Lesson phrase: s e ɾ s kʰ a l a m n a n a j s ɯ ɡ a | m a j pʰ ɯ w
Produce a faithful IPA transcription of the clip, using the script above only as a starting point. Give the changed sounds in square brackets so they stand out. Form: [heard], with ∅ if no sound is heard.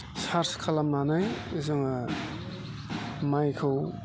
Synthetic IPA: s [a] ɾ s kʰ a l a m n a n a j [z] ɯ [ŋ] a | m a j [kʰ] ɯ w